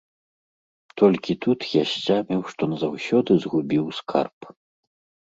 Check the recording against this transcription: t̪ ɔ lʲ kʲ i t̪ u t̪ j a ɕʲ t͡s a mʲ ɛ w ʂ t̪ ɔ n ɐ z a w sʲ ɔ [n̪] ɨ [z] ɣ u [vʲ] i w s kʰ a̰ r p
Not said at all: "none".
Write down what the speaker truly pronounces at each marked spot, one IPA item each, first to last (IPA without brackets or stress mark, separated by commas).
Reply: d̪, z, bʲ